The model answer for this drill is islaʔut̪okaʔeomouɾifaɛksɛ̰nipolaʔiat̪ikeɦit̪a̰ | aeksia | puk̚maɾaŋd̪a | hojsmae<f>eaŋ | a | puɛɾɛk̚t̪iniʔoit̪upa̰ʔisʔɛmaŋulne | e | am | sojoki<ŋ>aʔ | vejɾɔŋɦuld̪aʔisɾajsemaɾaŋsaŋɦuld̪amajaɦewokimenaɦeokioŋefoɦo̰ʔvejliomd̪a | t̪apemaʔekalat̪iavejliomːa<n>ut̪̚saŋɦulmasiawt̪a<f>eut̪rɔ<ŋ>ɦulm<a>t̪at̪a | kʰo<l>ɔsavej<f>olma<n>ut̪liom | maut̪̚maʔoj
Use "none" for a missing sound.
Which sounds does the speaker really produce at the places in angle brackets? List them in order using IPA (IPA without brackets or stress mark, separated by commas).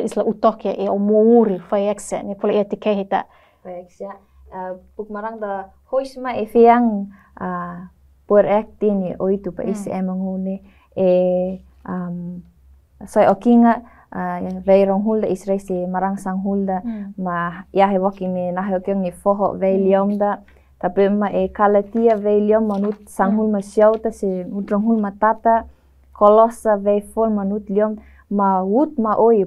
f, ŋ, n, s, ŋ, a, l, f, n